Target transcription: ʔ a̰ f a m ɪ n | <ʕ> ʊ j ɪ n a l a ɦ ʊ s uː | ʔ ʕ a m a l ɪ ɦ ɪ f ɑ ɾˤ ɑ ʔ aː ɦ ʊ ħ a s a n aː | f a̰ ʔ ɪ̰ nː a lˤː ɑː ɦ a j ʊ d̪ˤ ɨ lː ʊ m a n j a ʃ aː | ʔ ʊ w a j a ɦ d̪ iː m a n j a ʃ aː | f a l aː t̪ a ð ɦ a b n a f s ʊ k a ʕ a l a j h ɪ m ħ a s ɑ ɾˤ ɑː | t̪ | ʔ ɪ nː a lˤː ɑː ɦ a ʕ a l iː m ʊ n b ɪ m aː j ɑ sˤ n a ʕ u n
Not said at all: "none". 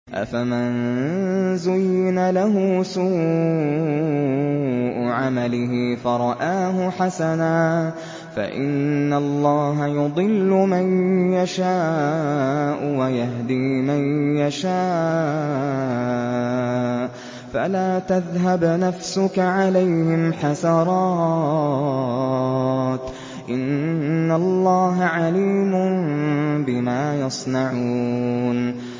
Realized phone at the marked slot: z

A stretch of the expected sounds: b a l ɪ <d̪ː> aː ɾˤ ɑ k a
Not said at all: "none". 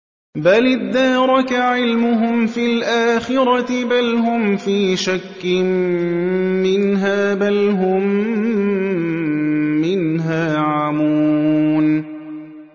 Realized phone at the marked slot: d̪ː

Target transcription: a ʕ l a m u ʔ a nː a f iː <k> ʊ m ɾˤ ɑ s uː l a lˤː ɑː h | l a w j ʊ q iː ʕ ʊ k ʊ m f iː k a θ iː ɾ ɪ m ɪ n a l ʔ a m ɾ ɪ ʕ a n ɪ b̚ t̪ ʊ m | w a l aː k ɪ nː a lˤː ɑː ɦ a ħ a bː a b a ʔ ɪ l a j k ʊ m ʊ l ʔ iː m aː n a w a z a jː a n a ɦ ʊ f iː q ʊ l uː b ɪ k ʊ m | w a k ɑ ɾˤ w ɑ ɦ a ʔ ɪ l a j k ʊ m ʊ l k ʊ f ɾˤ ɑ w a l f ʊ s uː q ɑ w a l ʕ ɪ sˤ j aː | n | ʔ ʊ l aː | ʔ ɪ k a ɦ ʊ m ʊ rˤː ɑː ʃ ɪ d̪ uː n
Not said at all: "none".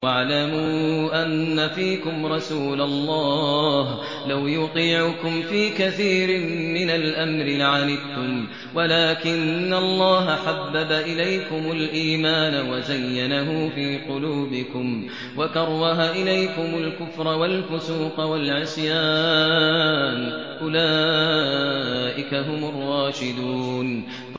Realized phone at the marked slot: k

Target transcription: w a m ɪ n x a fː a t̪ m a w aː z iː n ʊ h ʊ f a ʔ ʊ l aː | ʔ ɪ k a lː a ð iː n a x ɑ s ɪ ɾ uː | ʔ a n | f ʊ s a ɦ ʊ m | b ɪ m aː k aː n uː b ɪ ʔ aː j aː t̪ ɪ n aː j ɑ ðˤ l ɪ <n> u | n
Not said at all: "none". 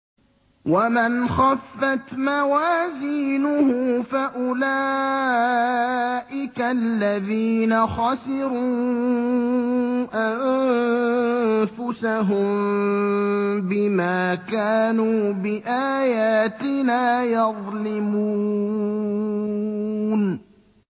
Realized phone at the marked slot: m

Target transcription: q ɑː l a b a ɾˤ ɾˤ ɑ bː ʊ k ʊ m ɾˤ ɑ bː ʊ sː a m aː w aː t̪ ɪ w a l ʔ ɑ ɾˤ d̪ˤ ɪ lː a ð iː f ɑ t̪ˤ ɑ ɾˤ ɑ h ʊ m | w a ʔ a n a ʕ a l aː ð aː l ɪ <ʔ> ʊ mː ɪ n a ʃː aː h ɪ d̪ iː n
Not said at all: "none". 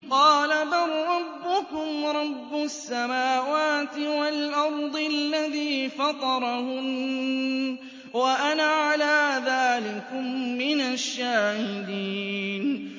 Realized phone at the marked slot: k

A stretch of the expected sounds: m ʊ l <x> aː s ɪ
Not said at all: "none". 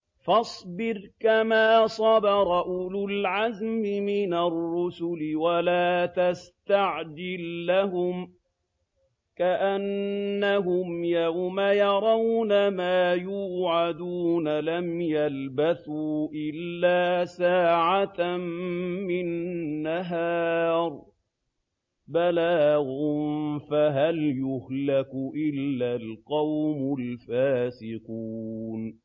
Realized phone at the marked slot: f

